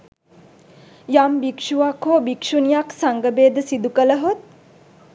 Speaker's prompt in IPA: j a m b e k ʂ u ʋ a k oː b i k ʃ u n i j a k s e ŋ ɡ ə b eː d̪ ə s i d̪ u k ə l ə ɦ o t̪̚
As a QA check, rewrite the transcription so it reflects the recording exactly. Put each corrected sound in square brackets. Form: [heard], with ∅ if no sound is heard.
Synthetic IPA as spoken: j a m b [i] k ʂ u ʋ a k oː b i k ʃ u n i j a k s [a] ŋ ɡ ə b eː d̪ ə s i d̪ u k ə l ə ɦ o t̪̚